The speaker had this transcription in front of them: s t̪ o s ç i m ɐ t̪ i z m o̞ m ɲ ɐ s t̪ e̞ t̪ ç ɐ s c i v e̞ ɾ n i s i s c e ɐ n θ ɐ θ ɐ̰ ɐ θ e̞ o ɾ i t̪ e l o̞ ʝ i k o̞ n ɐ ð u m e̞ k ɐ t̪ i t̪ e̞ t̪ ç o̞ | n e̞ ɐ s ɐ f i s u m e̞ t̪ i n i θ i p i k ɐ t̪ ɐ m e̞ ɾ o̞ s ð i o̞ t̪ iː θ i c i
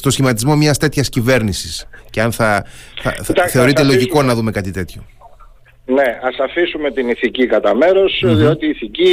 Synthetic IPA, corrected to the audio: s t̪ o s ç i m ɐ t̪ i z m o̞ m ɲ ɐ s t̪ e̞ t̪ ç ɐ s c i v e̞ ɾ n i s i s c e ɐ n θ ɐ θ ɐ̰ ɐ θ e̞ o ɾ i t̪ e l o̞ ʝ i k o̞ n ɐ ð u m e̞ k ɐ t̪ i t̪ e̞ t̪ ç o̞ | n e̞ ɐ s ɐ f i s u m e̞ t̪ i n i θ i c i k ɐ t̪ ɐ m e̞ ɾ o̞ s ð i o̞ t̪ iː θ i c i